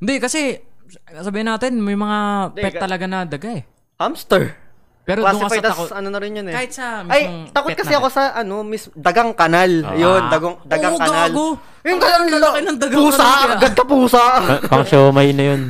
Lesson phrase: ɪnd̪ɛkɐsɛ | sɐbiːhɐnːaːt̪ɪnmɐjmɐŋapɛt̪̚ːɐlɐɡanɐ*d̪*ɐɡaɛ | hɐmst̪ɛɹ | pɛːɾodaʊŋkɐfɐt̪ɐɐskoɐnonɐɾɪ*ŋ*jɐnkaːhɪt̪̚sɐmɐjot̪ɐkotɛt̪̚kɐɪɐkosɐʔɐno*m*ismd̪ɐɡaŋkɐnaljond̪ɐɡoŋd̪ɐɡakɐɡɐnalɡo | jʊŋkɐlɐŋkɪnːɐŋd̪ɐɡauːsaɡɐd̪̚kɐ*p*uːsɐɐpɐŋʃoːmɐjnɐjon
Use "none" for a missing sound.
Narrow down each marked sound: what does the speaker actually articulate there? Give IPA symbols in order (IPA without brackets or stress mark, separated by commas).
d̪, n, m, p